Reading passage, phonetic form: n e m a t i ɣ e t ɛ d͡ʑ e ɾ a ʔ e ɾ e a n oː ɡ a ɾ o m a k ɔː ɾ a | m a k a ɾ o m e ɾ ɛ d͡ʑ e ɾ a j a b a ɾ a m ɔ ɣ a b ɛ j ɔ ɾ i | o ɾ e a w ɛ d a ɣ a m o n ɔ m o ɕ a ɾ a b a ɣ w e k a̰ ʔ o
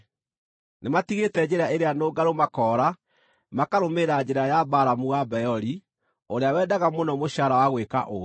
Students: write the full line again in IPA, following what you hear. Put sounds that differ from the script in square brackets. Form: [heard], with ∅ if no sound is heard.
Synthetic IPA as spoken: n e m a t i ɣ e t ɛ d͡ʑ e ɾ a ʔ e ɾ e a n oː ɡ a ɾ o m a k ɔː ɾ a | m a k a ɾ o m e ɾ [a] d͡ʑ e ɾ a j a b a ɾ a m [u] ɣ a b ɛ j ɔ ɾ i | o ɾ e a w ɛ d a ɣ a m o n ɔ m o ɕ a ɾ a [w] a ɣ w e k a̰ ʔ o